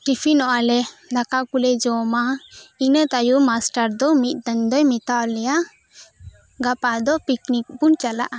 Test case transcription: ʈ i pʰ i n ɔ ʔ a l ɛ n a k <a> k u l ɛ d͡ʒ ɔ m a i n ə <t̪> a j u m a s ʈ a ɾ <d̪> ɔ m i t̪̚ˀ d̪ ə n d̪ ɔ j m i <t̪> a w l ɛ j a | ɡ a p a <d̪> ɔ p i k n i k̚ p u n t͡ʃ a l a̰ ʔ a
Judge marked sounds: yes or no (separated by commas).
yes, yes, yes, yes, yes